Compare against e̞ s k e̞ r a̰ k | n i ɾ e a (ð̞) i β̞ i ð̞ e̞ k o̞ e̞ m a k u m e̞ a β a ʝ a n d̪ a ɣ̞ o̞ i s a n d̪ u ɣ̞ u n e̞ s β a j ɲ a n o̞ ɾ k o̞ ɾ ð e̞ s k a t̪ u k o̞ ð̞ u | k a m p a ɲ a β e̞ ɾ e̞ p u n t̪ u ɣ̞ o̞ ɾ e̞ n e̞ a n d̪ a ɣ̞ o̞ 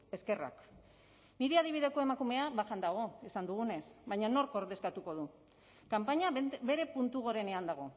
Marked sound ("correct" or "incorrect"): correct